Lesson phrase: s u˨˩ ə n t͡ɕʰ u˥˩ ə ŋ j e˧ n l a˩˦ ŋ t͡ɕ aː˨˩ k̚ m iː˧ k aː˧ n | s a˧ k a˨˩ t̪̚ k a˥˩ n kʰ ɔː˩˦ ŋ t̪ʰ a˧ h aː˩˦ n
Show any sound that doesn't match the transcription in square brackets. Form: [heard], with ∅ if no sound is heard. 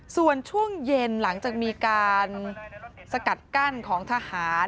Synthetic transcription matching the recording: s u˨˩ ə n t͡ɕʰ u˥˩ ə ŋ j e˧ n l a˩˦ ŋ t͡ɕ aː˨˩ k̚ m iː˧ k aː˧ n | s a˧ k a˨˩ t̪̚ k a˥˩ n kʰ ɔː˩˦ ŋ t̪ʰ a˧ h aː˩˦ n

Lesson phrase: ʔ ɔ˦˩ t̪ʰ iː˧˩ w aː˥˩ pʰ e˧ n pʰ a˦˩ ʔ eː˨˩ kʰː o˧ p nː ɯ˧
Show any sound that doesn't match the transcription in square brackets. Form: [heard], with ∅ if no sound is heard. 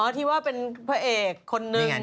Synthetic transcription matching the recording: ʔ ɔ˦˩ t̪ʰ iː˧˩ w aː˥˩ [p] e˧ n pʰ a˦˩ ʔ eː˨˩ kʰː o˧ [∅] nː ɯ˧

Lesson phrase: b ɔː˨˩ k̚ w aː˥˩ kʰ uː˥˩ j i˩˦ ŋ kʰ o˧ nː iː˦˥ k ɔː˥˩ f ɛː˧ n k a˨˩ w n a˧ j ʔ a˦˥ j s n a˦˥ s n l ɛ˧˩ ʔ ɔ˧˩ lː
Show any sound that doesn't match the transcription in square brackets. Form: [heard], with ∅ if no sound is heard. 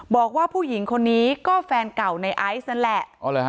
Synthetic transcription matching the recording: b ɔː˨˩ k̚ w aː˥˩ [pʰ] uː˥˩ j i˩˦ ŋ kʰ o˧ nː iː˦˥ k ɔː˥˩ f ɛː˧ n k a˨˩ w n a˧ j ʔ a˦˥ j s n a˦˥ [∅] n l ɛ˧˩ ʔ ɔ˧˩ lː

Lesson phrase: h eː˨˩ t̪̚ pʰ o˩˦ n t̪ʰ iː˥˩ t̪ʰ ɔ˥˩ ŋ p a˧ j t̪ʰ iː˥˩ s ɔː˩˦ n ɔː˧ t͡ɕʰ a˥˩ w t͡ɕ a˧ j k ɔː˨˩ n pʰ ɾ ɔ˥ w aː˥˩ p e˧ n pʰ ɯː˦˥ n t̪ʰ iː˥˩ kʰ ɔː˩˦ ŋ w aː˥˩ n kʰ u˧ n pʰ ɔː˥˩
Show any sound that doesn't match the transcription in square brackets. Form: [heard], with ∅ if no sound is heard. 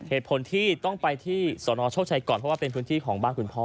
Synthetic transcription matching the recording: h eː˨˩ t̪̚ pʰ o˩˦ n t̪ʰ iː˥˩ [t̪] ɔ˥˩ ŋ p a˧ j t̪ʰ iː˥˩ s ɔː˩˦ n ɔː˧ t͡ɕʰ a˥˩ w [t͡ɕʰ] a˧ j k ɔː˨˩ n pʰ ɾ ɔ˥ w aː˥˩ p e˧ n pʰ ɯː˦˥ n t̪ʰ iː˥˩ kʰ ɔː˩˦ ŋ [b] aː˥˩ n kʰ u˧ n pʰ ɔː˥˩

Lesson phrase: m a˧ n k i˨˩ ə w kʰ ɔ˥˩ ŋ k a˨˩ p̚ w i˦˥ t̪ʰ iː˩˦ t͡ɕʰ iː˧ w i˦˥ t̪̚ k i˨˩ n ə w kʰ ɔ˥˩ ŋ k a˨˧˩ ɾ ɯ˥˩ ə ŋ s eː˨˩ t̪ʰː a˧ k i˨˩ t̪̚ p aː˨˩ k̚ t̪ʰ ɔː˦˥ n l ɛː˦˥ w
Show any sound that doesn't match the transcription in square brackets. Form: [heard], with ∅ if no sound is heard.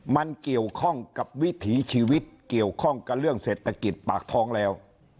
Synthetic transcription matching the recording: m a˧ n k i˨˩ ə w kʰ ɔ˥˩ ŋ k a˨˩ p̚ w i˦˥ t̪ʰ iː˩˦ t͡ɕʰ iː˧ w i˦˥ t̪̚ k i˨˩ [∅] ə w kʰ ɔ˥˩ ŋ k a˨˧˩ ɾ ɯ˥˩ ə ŋ s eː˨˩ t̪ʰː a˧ k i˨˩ t̪̚ p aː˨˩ k̚ t̪ʰ ɔː˦˥ [ŋ] l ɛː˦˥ w

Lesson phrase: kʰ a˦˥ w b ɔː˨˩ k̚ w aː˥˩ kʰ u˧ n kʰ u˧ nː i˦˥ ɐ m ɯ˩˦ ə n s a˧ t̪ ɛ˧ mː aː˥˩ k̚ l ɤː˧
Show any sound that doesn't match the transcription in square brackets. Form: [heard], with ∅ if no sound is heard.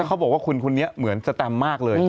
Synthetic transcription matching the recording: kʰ a˦˥ w b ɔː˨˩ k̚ w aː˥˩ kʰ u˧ n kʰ u˧ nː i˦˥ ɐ m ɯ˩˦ ə n s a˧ t̪ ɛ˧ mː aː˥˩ k̚ l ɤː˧

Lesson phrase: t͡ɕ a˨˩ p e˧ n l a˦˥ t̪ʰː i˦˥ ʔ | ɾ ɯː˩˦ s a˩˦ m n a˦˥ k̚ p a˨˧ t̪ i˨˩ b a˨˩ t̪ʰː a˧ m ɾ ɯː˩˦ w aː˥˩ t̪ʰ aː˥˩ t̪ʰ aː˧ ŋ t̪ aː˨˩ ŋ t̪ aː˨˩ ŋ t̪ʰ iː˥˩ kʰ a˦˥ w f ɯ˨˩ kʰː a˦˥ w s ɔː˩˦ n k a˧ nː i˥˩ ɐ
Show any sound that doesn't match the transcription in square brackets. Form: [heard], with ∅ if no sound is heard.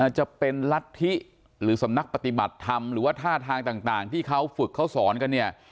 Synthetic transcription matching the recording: t͡ɕ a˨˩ p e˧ n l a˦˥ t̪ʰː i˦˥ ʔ | ɾ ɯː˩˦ s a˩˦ m n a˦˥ k̚ p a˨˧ t̪ i˨˩ b a˨˩ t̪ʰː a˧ m ɾ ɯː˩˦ w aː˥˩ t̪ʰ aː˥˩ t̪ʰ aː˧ ŋ t̪ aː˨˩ ŋ t̪ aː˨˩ ŋ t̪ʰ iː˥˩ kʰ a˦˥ w f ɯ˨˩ kʰː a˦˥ w s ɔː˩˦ n k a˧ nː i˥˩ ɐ

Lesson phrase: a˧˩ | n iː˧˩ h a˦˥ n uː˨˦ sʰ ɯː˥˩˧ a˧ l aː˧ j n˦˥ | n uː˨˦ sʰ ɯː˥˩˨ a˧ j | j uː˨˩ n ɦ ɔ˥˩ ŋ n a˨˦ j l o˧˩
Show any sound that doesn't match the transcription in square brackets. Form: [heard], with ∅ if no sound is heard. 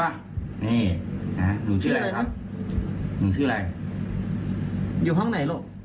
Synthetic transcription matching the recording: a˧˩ | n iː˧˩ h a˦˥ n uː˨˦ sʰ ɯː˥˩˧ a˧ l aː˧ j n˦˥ | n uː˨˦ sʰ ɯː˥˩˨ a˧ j | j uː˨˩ [∅] ɦ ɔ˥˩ ŋ n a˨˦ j l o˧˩

